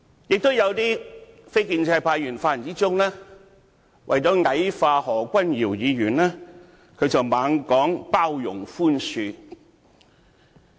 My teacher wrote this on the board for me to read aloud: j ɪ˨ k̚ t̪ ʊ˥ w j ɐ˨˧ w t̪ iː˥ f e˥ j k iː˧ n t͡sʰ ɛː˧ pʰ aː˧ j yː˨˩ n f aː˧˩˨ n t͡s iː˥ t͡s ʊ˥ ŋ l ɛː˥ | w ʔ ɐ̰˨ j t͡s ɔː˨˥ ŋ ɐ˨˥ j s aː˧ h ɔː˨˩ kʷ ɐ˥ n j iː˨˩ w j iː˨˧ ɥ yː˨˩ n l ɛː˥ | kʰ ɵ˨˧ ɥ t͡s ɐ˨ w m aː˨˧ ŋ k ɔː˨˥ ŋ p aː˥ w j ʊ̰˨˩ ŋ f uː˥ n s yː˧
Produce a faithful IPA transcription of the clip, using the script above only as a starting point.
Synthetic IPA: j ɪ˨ k̚ t̪ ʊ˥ w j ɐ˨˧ w t̪ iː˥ f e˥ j k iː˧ n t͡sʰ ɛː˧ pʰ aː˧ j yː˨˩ n f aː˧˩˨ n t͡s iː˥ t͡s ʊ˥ ŋ l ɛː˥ | w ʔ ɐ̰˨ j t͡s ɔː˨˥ ŋ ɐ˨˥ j f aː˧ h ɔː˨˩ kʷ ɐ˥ n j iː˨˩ w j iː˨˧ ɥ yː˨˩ n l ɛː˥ | kʰ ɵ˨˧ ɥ t͡s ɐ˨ w m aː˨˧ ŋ k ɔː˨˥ ŋ p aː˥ w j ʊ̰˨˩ ŋ f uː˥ n s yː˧